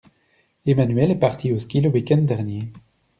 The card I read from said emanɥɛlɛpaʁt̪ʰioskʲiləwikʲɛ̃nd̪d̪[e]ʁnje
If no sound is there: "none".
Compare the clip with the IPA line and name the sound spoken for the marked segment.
ɛ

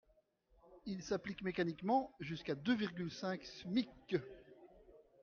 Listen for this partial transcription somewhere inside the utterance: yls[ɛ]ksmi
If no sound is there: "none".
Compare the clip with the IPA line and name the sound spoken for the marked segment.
ɛ̃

